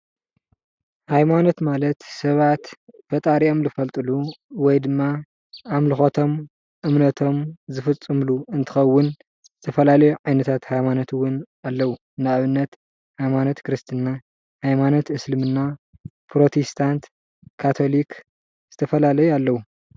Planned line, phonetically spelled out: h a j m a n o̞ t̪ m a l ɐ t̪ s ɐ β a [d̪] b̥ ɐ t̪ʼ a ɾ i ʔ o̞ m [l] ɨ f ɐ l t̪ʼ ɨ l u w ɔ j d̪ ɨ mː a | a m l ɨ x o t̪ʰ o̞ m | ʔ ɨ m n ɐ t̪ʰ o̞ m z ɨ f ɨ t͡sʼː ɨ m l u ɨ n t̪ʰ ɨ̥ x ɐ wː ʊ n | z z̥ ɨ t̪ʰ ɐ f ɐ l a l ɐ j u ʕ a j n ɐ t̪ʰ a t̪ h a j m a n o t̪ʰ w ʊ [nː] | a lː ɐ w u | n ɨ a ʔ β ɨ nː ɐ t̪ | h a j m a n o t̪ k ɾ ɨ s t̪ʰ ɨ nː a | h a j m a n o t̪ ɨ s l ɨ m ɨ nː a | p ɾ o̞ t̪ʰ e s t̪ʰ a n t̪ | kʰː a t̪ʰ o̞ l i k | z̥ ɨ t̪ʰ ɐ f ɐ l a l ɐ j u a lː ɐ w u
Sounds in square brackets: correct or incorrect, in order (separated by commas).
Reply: incorrect, correct, incorrect